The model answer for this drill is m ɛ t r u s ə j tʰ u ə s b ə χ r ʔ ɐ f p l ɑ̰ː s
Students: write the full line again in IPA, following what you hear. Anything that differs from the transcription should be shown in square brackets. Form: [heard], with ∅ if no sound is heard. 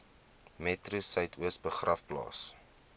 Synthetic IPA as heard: m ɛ t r u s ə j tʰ u ə s b ə χ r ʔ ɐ f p l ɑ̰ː s